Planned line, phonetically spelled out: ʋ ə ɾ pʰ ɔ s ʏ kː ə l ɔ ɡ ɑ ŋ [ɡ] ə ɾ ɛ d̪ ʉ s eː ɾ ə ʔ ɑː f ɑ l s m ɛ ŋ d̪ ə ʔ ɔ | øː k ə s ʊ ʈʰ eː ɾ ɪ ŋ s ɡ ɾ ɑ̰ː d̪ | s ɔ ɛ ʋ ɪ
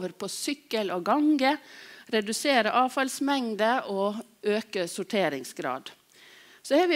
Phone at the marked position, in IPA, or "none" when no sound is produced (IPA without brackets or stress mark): ɡ